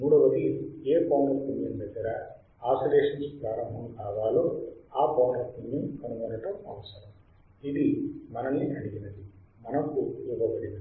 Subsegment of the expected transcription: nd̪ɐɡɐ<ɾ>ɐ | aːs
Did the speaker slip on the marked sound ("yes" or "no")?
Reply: no